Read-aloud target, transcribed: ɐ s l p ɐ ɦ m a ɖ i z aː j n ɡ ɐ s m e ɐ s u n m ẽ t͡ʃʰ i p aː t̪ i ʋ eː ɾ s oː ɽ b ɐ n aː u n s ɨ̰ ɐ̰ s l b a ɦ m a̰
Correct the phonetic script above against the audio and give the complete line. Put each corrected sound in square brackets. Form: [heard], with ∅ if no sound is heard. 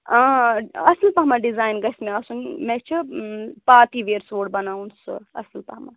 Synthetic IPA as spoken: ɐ s l p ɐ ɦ m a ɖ i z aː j n ɡ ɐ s m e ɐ s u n m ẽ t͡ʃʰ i p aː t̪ i ʋ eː ɾ s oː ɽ b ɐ n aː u n s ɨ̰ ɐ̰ s l [p] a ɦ m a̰